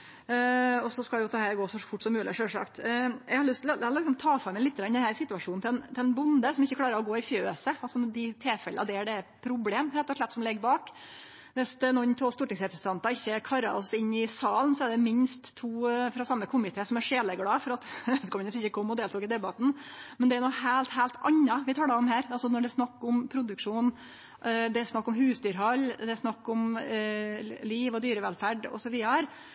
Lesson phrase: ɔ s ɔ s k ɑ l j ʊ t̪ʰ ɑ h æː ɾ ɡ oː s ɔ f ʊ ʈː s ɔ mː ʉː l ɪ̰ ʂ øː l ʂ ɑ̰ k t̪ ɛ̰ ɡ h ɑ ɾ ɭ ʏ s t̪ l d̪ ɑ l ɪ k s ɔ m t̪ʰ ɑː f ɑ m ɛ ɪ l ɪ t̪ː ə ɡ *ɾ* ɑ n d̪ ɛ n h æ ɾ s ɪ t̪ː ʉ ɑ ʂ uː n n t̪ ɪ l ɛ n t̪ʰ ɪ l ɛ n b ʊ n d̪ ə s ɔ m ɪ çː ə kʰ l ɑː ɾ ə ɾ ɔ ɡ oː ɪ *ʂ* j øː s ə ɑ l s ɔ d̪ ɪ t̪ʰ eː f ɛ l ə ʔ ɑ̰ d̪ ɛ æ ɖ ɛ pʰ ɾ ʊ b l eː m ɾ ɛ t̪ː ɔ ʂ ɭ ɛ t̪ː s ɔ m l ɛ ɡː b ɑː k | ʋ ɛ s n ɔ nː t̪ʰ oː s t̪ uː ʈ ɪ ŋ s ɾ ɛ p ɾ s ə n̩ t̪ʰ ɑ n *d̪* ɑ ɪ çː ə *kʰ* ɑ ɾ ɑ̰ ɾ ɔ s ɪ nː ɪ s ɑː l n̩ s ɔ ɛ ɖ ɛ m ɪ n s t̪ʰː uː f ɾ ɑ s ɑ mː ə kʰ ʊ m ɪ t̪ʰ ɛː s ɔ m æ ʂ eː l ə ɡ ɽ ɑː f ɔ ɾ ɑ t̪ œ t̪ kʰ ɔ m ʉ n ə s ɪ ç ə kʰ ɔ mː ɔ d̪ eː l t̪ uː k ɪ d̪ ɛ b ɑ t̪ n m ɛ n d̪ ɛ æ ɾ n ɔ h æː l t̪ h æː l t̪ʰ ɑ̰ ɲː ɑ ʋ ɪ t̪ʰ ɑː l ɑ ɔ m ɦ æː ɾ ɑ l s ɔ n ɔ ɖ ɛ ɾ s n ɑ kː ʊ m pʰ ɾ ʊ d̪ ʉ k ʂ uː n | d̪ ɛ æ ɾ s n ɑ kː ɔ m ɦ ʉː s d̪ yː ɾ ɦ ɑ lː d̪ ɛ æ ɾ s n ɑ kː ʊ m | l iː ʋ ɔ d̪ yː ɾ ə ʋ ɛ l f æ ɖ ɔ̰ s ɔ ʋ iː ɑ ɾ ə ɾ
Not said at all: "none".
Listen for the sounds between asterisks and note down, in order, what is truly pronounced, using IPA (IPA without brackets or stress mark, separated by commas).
ɾ, f, t̪, kʰ